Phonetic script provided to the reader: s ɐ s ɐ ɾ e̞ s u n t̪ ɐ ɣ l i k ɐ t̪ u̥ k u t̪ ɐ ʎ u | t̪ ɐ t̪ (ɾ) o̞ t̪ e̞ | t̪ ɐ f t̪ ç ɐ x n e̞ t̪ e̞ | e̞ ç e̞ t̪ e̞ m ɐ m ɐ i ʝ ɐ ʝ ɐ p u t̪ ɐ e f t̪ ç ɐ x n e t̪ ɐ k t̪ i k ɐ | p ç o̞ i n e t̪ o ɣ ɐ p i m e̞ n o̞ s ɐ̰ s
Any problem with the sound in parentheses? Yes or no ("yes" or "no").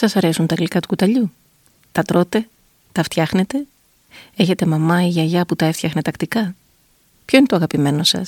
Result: no